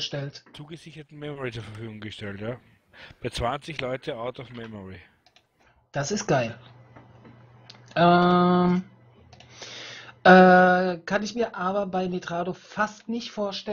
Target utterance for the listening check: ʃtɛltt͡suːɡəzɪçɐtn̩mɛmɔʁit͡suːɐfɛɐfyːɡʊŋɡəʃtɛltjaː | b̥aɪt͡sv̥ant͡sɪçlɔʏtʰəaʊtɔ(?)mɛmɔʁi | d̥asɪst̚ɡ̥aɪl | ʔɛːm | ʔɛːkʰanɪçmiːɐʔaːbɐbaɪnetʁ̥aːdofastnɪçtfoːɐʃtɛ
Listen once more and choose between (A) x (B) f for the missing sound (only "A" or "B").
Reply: B